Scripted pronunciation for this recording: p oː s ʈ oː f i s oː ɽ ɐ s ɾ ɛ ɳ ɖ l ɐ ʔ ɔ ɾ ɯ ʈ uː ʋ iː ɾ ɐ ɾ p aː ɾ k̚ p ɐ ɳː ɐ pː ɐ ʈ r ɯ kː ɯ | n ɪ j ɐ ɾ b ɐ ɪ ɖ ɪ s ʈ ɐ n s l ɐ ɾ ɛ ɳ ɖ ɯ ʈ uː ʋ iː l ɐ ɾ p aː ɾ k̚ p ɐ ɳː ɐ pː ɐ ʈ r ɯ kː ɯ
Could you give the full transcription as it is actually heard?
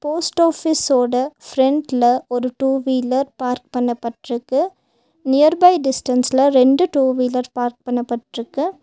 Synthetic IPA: p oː s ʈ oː f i s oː ɽ ɐ f ɾ ɛ ɳ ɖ l ɐ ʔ ɔ ɾ ɯ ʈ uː ʋ iː l ɐ ɾ p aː ɾ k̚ p ɐ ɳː ɐ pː ɐ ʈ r ɯ kː ɯ | n ɪ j ɐ ɾ b ɐ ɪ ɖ ɪ s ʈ ɐ n s l ɐ ɾ ɛ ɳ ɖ ɯ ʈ uː ʋ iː l ɐ ɾ p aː ɾ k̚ p ɐ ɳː ɐ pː ɐ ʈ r ɯ kː ɯ